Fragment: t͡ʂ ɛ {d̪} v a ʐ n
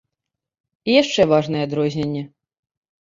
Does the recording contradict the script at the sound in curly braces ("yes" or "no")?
yes